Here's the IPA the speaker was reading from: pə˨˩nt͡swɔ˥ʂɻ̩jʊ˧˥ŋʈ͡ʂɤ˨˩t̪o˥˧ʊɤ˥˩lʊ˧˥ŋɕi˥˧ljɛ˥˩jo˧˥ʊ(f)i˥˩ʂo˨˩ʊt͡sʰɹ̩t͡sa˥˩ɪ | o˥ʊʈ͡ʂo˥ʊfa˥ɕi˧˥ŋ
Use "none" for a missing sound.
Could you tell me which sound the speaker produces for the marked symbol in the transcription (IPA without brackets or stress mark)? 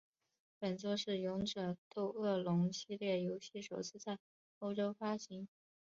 ɕ